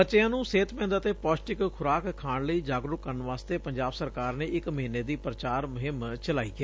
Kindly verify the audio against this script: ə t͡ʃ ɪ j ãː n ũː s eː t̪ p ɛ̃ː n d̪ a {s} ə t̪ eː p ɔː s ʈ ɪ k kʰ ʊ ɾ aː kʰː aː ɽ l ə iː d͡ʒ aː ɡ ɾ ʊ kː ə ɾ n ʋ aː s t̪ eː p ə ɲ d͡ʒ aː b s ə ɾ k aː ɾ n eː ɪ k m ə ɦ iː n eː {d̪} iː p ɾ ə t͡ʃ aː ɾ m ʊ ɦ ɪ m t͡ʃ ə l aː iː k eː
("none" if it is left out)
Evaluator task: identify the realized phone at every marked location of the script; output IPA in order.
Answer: none, d̪

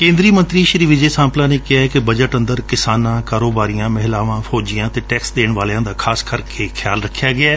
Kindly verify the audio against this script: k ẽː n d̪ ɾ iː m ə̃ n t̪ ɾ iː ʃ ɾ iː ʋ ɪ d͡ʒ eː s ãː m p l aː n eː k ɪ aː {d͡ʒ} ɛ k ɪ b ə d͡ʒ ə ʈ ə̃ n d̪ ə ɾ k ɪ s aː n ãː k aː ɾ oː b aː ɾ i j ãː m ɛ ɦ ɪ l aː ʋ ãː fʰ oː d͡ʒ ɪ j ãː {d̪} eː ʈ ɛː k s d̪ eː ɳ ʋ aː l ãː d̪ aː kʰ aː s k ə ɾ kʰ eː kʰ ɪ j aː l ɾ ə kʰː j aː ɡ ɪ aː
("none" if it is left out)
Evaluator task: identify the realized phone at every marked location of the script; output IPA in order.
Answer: none, t̪

